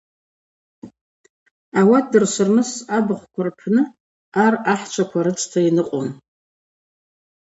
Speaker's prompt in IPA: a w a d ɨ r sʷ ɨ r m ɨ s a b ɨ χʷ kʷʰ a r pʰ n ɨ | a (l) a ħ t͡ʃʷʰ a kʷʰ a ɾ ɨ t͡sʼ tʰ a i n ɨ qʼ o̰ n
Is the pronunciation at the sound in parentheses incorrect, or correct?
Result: incorrect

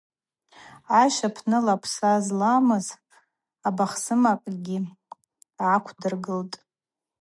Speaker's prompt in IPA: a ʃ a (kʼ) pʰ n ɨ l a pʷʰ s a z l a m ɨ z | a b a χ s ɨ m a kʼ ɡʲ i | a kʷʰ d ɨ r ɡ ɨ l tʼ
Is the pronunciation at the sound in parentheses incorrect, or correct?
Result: incorrect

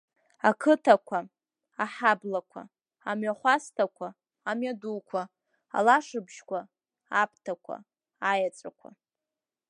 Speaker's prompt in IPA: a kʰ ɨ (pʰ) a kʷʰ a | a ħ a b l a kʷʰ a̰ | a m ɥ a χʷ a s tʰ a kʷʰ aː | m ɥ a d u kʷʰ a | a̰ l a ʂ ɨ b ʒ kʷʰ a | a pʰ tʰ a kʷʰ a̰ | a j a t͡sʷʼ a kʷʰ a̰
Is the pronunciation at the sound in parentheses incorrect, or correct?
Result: incorrect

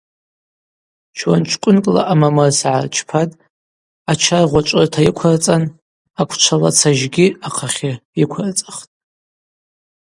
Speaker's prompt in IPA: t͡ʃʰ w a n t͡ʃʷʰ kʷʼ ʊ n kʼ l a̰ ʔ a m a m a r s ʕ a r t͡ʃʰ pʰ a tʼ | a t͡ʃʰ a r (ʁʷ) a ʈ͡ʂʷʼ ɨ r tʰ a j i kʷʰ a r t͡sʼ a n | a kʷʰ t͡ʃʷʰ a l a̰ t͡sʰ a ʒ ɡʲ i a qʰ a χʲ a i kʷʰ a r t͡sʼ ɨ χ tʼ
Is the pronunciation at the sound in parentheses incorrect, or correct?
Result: correct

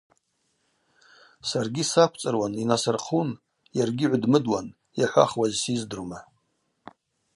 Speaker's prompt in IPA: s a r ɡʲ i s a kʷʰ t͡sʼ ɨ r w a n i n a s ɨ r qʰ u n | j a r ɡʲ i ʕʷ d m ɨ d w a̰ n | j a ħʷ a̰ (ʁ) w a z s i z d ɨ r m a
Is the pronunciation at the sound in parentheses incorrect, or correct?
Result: incorrect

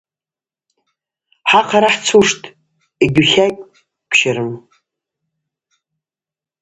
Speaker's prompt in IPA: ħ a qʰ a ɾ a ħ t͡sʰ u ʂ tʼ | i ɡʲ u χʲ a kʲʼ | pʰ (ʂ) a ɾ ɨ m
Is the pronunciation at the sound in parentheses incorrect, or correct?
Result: incorrect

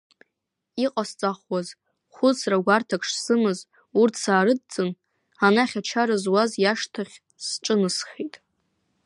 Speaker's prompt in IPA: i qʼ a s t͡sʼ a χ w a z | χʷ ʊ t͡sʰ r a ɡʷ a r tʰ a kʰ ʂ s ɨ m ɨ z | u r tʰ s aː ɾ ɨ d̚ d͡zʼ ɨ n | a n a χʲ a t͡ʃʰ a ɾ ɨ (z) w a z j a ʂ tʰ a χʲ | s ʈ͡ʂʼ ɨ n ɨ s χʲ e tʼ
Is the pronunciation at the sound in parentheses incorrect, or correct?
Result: correct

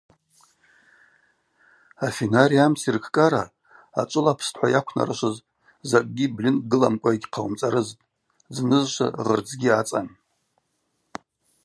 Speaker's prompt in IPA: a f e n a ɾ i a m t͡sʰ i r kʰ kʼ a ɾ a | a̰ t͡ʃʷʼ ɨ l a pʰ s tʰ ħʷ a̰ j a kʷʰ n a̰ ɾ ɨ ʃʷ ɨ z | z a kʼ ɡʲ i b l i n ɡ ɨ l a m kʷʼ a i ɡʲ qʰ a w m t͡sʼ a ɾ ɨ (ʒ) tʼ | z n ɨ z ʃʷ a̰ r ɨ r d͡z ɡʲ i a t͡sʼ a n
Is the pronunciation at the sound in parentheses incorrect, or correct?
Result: incorrect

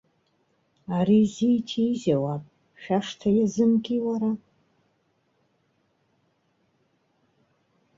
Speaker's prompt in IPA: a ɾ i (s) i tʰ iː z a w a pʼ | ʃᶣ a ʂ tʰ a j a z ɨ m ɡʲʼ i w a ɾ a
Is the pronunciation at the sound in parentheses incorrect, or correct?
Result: incorrect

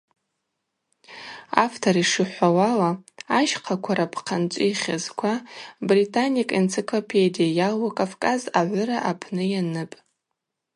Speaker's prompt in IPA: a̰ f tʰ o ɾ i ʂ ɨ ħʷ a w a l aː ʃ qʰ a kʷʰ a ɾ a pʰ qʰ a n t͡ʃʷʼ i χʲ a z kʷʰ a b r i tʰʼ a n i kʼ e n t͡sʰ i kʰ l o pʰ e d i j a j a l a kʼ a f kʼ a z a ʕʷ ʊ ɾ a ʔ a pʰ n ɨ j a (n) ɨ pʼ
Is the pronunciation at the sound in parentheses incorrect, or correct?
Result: correct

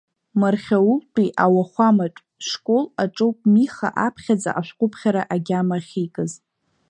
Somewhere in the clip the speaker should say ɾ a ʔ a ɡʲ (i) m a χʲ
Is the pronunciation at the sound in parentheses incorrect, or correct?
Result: incorrect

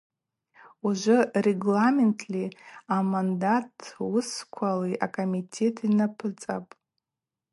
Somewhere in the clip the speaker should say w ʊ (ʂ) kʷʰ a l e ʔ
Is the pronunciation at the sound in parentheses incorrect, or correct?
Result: incorrect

